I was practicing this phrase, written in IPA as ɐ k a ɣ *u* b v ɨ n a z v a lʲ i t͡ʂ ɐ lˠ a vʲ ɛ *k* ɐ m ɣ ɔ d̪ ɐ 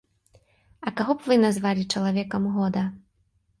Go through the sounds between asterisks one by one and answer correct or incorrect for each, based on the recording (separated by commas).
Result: incorrect, correct